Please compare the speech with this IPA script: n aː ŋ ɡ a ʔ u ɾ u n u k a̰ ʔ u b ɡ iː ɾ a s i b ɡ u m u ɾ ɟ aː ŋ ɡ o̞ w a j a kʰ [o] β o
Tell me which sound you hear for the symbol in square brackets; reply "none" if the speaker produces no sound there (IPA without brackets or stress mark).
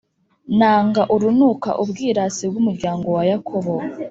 o